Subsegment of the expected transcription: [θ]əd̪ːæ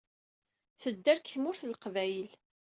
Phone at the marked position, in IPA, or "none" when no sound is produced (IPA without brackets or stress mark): θ